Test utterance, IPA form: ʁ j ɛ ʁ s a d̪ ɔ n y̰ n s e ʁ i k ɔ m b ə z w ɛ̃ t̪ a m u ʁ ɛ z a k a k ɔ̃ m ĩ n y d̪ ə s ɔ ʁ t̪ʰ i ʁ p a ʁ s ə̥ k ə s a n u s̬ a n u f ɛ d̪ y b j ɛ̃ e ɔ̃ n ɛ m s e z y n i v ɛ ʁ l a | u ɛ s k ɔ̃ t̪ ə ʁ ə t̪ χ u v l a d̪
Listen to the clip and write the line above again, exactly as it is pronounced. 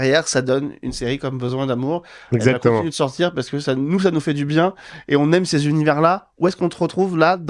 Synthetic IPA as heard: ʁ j ɛ ʁ s a d̪ ɔ n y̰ n s e ʁ i k ɔ m b ə z w ɛ̃ d̪ a m u ʁ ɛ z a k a k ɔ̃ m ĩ n y d̪ ə s ɔ ʁ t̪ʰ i ʁ p a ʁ s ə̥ k ə s a n u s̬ a n u f ɛ d̪ y b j ɛ̃ e ɔ̃ n ɛ m s e z y n i v ɛ ʁ l a | u ɛ s k ɔ̃ t̪ ə ʁ ə t̪ χ u v l a d̪